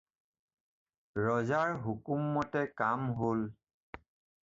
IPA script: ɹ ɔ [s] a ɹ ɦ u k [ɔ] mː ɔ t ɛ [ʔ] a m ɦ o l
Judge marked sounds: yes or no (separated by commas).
no, no, no